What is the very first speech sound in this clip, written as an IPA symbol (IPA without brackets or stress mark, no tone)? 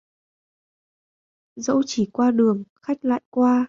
z